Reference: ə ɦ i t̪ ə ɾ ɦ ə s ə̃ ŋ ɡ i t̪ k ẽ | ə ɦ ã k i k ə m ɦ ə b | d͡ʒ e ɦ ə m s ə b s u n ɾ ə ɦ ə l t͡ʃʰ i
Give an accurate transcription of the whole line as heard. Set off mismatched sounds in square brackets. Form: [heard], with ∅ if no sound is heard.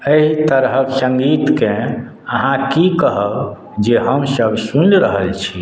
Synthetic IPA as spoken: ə ɦ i t̪ ə ɾ ɦ ə s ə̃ ŋ ɡ i t̪ k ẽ | ə ɦ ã k i k ə [∅] ɦ ə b | d͡ʒ e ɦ ə m s ə b s u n ɾ ə ɦ ə l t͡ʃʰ i

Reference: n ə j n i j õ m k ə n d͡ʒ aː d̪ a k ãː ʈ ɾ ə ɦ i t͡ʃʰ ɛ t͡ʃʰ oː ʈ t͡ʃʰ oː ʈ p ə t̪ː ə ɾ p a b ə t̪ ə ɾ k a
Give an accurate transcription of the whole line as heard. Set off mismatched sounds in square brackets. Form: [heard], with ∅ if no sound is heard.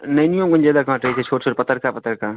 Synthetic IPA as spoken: n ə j n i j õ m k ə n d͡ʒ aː d̪ a k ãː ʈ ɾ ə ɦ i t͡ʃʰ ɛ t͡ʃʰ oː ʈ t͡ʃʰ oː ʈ p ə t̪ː ə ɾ [k] a [p] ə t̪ ə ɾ k a

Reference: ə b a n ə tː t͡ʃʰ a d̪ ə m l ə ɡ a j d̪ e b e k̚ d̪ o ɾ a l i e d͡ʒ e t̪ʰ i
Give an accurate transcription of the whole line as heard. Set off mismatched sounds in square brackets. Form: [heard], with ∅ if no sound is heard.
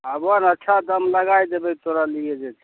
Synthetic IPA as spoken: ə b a n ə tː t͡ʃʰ a d̪ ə m l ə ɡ a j d̪ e b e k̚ [t̪] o ɾ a l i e d͡ʒ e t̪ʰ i

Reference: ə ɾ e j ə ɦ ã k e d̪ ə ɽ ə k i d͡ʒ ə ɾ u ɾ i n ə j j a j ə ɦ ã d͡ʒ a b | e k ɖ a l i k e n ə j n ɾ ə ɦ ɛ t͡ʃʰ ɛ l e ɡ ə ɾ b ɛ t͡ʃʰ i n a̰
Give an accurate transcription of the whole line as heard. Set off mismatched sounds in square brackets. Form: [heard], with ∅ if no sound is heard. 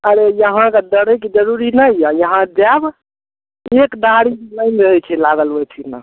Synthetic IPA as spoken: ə ɾ e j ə ɦ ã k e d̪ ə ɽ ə k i d͡ʒ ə ɾ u ɾ i n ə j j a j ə ɦ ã d͡ʒ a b | e k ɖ a [ɽ] i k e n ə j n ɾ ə ɦ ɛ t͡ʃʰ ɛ l [a] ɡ ə [l] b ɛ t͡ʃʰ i n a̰

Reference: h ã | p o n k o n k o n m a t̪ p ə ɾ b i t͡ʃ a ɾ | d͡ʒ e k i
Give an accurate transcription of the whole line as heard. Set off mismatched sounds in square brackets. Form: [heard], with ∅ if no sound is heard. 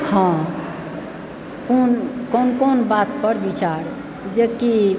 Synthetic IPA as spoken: h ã | [k] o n k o n k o n [b] a t̪ p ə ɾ b i t͡ʃ a ɾ | d͡ʒ e k i

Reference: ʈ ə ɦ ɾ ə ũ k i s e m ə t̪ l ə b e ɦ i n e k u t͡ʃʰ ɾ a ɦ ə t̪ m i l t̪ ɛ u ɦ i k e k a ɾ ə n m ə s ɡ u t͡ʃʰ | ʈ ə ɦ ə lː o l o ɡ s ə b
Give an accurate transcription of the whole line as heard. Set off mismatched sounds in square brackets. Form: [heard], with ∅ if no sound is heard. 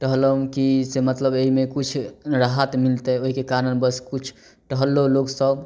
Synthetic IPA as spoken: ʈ ə ɦ [l] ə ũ k i s e m ə t̪ l ə b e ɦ i [m] e k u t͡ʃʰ ɾ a ɦ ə t̪ m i l t̪ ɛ [o] ɦ i k e k a ɾ ə n [b] ə s [k] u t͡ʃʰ | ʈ ə ɦ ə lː o l o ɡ s ə b

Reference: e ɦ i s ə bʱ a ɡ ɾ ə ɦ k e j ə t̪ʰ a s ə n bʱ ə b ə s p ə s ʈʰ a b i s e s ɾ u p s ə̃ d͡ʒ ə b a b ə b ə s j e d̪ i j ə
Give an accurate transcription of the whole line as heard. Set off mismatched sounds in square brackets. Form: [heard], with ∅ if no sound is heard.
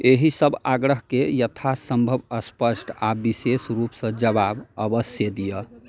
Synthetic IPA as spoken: e ɦ i s ə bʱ a ɡ ɾ ə ɦ k e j ə t̪ʰ a s ə [m] bʱ ə b ə s p ə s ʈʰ a b i s e s ɾ u p s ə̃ d͡ʒ ə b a b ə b ə s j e d̪ i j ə

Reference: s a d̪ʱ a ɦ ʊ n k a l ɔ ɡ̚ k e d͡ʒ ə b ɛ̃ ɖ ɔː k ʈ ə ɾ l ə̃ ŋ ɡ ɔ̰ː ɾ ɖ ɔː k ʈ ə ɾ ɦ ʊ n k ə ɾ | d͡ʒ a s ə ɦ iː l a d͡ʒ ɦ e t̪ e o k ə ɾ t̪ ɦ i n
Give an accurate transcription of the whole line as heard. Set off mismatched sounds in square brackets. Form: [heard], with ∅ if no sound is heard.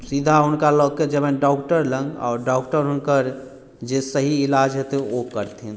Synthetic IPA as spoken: s [i] d̪ʱ a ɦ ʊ n k a l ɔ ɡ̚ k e d͡ʒ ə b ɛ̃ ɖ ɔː k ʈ ə ɾ l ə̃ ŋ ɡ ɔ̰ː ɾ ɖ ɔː k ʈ ə ɾ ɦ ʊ n k ə ɾ | d͡ʒ [e] s ə ɦ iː l a d͡ʒ ɦ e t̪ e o k ə ɾ t̪ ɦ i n

